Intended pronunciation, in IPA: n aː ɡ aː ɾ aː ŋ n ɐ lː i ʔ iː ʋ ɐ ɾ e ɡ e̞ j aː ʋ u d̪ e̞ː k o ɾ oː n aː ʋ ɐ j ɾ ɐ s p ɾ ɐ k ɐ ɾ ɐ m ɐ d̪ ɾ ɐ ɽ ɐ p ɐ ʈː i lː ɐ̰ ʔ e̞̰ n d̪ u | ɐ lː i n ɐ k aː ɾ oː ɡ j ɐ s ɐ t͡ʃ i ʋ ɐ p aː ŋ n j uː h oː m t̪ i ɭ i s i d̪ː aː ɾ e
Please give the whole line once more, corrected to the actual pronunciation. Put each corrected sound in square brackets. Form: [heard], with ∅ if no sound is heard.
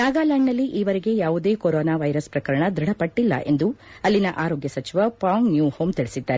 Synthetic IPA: n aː ɡ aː [l] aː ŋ n ɐ lː i ʔ iː ʋ ɐ ɾ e ɡ e̞ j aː ʋ u d̪ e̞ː k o ɾ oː n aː ʋ ɐ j ɾ ɐ s p ɾ ɐ k ɐ ɾ ɐ [ɳ] ɐ d̪ ɾ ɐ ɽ ɐ p ɐ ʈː i lː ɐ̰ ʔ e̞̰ n d̪ u | ɐ lː i n ɐ [ʔ] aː ɾ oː ɡ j ɐ s ɐ t͡ʃ i ʋ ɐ p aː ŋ n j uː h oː m t̪ i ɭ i s i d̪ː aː ɾ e

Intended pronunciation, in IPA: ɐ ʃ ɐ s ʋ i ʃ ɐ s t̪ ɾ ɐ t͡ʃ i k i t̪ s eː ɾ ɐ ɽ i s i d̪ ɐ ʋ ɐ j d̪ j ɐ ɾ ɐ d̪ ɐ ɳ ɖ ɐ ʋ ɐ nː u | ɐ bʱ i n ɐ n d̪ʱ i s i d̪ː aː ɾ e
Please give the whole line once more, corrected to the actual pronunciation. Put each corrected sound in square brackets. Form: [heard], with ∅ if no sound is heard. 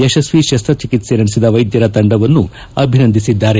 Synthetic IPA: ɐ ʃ ɐ s ʋ i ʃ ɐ s t̪ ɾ ɐ t͡ʃ i k i t̪ s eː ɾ ɐ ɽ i s i d̪ ɐ ʋ ɐ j d̪ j ɐ ɾ ɐ [t̪] ɐ ɳ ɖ ɐ ʋ ɐ nː u | ɐ bʱ i n ɐ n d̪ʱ i s i d̪ː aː ɾ e

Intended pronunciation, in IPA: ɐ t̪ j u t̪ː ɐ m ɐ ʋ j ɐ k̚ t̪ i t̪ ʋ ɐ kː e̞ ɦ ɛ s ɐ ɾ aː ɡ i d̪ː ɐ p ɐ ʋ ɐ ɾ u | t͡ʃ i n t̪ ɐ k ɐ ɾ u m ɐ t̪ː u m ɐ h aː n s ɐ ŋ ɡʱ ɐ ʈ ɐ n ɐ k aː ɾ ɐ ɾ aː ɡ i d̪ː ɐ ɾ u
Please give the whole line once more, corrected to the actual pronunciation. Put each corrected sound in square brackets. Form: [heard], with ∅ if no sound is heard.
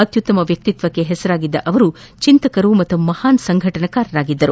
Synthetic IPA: ɐ t̪ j u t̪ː ɐ m ɐ ʋ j ɐ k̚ t̪ i t̪ ʋ ɐ kː e̞ ɦ ɛ s ɐ ɾ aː ɡ i d̪ː ɐ [ʔ] ɐ ʋ ɐ ɾ u | t͡ʃ i n t̪ ɐ k ɐ ɾ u m ɐ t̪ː u m ɐ h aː n s ɐ ŋ ɡʱ ɐ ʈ ɐ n ɐ k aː ɾ ɐ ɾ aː ɡ i d̪ː ɐ ɾ u

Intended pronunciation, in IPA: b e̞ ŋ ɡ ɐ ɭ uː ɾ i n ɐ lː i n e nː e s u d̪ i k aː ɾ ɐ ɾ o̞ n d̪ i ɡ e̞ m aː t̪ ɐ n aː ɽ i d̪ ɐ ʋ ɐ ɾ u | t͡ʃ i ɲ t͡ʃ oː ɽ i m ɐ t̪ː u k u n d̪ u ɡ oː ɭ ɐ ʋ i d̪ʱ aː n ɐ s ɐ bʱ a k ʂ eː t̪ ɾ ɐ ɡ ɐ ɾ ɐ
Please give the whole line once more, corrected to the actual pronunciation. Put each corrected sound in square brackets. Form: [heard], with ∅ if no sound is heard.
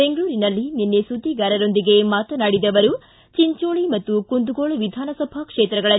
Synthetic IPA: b e̞ ŋ ɡ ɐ ɭ uː ɾ i n ɐ lː i n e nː e s u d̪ i [ɡ] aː ɾ ɐ ɾ o̞ n d̪ i ɡ e̞ m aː t̪ ɐ n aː ɽ i d̪ ɐ ʋ ɐ ɾ u | t͡ʃ i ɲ t͡ʃ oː [ɭ] i m ɐ t̪ː u k u n d̪ u ɡ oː ɭ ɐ ʋ i d̪ʱ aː n ɐ s ɐ bʱ a k ʂ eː t̪ ɾ ɐ ɡ ɐ [ɭ] ɐ

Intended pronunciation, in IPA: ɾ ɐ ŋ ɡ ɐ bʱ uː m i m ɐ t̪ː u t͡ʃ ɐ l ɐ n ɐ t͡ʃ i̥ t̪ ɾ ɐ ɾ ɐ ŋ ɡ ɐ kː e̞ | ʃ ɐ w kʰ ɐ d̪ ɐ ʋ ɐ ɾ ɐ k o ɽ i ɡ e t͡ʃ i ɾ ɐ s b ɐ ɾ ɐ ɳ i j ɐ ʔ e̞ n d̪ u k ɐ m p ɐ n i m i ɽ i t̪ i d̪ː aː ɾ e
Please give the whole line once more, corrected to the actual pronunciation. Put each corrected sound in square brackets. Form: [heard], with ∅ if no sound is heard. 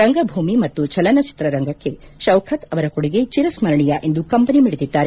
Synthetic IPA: ɾ ɐ ŋ ɡ ɐ bʱ uː m i m ɐ t̪ː u t͡ʃ ɐ l ɐ n ɐ t͡ʃ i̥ t̪ ɾ ɐ ɾ ɐ ŋ ɡ ɐ kː e̞ | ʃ ɐ w kʰ ɐ [t̪] ɐ ʋ ɐ ɾ ɐ k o ɽ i ɡ e t͡ʃ i ɾ ɐ s [m] ɐ ɾ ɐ ɳ i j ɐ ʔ e̞ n d̪ u k ɐ m p ɐ n i m i ɽ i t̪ i d̪ː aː ɾ e

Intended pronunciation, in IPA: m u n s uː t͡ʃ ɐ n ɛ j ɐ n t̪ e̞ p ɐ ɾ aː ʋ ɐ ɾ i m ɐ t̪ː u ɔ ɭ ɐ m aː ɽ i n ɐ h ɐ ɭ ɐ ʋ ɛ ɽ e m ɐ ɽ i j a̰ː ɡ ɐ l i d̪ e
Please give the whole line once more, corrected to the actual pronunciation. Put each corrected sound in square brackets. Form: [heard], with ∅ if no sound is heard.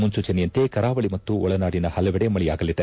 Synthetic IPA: m u n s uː t͡ʃ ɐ n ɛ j ɐ n t̪ e̞ [k] ɐ ɾ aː ʋ ɐ [ɭ] i m ɐ t̪ː u ɔ ɭ ɐ [n] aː ɽ i n ɐ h ɐ [l] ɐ ʋ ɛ ɽ e m ɐ [ɭ] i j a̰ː ɡ ɐ l i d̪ e

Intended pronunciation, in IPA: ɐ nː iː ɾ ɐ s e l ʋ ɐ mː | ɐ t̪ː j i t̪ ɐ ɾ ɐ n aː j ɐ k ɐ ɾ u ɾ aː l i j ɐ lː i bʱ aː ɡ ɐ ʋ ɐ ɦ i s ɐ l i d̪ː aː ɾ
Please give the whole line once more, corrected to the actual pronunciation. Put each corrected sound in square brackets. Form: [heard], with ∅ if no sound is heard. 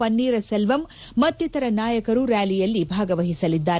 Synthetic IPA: ɐ nː iː ɾ ɐ s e l ʋ ɐ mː | ɐ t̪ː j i t̪ ɐ ɾ ɐ n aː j ɐ k ɐ ɾ u ɾ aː l i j ɐ lː i bʱ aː ɡ ɐ ʋ ɐ ɦ i s ɐ l i d̪ː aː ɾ

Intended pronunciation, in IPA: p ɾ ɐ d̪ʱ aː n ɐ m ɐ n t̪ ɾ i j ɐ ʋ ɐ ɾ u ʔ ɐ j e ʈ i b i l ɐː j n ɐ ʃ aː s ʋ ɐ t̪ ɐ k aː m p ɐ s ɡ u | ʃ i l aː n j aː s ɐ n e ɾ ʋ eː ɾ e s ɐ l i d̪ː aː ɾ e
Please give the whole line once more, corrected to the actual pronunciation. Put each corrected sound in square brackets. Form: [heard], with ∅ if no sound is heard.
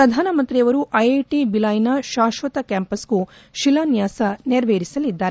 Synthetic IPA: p ɾ ɐ d̪ʱ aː n ɐ m ɐ n t̪ ɾ i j ɐ ʋ ɐ ɾ u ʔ ɐ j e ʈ i b i l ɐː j n ɐ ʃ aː [ʃ] ʋ ɐ t̪ ɐ k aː m p ɐ s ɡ u | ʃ i l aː n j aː s ɐ n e ɾ ʋ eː ɾ [i] s ɐ l i d̪ː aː ɾ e

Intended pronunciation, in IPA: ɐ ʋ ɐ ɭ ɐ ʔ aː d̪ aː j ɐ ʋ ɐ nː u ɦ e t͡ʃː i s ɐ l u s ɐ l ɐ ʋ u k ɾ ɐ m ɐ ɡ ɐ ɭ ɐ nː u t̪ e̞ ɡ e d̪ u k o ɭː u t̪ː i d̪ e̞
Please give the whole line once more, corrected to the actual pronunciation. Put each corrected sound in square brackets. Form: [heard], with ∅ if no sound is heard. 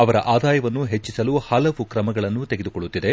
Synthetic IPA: ɐ ʋ ɐ [ɾ] ɐ ʔ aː d̪ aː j ɐ ʋ ɐ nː u ɦ e t͡ʃː i s ɐ l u [h] ɐ l ɐ ʋ u k ɾ ɐ m ɐ ɡ ɐ ɭ ɐ nː u t̪ e̞ ɡ e d̪ u k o ɭː u t̪ː i d̪ e̞

